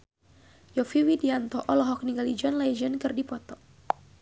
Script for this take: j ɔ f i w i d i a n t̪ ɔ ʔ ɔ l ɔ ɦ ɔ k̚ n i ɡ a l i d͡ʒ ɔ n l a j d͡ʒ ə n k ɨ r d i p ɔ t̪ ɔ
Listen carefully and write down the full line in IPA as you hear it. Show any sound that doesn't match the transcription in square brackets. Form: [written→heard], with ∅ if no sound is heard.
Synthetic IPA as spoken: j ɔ f i w i d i a n t̪ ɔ ʔ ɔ l ɔ ɦ ɔ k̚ n i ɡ a l i d͡ʒ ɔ n l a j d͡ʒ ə n k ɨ r d i p ɔ t̪ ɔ